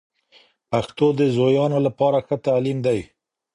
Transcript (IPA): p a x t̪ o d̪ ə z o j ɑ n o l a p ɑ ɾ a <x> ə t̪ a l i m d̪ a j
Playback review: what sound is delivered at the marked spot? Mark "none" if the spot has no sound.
x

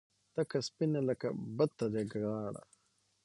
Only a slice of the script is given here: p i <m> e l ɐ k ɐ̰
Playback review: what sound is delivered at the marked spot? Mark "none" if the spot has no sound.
n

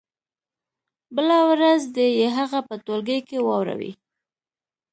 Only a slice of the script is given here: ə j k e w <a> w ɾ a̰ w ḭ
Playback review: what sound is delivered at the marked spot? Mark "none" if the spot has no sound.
ɑ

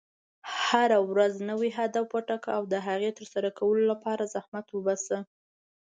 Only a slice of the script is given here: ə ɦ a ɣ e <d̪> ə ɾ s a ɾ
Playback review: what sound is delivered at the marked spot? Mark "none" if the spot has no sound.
t̪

